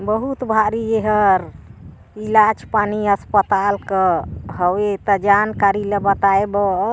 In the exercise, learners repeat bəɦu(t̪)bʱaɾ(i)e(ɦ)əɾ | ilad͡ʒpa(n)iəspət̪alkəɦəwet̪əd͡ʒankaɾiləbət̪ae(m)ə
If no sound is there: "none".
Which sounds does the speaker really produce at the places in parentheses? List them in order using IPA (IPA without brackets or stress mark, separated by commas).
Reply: t̪, i, ɦ, n, b